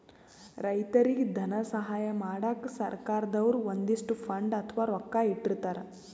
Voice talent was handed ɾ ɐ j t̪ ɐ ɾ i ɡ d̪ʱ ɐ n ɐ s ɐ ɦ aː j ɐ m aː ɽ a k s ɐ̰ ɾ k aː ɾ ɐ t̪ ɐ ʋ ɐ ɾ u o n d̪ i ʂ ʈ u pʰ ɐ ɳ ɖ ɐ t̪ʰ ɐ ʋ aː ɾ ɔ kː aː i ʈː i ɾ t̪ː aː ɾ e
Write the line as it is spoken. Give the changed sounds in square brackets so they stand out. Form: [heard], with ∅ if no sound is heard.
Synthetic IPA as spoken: ɾ ɐ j t̪ ɐ ɾ i ɡ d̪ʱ ɐ n ɐ s ɐ ɦ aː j ɐ m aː ɽ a k s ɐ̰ ɾ k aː ɾ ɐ [d̪] ɐ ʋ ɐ ɾ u o n d̪ i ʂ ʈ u pʰ ɐ ɳ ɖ ɐ t̪ʰ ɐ ʋ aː ɾ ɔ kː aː i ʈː i ɾ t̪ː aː ɾ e